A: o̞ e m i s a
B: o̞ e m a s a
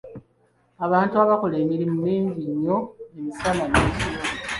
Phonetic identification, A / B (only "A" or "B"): A